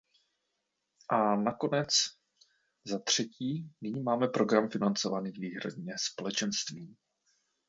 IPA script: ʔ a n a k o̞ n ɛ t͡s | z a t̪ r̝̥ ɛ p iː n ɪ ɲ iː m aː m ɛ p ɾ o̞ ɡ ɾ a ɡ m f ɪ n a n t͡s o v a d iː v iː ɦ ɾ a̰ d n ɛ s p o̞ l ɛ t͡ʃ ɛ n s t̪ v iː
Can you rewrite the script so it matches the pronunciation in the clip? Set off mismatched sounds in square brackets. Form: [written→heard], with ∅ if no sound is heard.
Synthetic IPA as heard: ʔ a n a k o̞ n ɛ t͡s | z a t̪ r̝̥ ɛ [p→c] iː n ɪ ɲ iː m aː m ɛ p ɾ o̞ ɡ ɾ a [ɡ→∅] m f ɪ n a n t͡s o v a [d→n] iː v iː ɦ ɾ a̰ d [n→ɲ] ɛ s p o̞ l ɛ t͡ʃ ɛ n s t̪ v iː